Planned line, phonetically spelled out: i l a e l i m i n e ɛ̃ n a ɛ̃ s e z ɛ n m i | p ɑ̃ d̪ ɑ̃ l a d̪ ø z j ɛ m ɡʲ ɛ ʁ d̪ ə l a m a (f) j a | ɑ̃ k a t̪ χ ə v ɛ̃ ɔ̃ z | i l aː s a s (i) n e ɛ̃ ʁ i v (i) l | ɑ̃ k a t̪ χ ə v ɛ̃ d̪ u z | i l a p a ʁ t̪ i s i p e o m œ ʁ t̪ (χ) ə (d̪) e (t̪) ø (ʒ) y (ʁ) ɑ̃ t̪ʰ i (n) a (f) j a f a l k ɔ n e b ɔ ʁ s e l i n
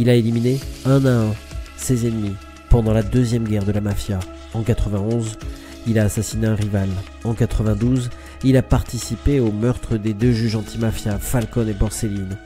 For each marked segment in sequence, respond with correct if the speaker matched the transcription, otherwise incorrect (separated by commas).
correct, correct, incorrect, correct, correct, incorrect, correct, incorrect, incorrect, correct